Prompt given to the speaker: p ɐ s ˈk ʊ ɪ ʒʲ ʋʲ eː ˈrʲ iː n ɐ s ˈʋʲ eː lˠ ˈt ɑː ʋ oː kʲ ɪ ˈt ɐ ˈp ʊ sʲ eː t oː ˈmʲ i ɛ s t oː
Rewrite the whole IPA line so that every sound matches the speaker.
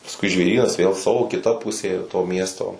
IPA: p ɐ s ˈk ʊ ɪ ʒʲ ʋʲ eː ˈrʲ iː n ɐ s ˈʋʲ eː lˠ ˈs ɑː ʋ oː kʲ ɪ ˈt ɐ ˈp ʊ sʲ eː t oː ˈmʲ i ɛ s t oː